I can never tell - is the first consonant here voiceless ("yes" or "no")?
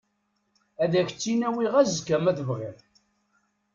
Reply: no